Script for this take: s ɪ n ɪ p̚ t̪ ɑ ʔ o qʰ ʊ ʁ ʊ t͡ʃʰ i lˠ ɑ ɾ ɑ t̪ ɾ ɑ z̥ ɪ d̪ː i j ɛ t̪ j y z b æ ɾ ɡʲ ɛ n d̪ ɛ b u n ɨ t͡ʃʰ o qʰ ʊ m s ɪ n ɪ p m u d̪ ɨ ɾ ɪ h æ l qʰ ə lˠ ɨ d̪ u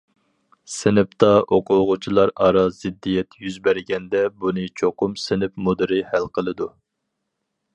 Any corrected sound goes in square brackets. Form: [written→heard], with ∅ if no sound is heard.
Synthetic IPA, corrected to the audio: s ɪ n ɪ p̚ t̪ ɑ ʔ o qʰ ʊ ʁ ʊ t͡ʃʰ i lˠ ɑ ɾ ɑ [t̪→∅] ɾ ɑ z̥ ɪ d̪ː i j ɛ t̪ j y z b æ ɾ ɡʲ ɛ n d̪ ɛ b u n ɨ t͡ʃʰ o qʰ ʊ m s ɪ n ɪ p m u d̪ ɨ ɾ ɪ h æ l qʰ ə lˠ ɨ d̪ u